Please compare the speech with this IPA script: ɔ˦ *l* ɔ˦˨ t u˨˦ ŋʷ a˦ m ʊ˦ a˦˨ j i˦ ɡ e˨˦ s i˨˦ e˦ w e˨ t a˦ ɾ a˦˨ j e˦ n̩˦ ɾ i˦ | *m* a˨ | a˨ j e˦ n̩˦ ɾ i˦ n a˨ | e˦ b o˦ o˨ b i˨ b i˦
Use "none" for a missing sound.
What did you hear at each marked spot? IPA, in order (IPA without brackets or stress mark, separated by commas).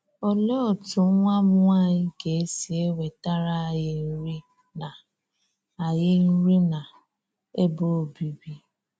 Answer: l, n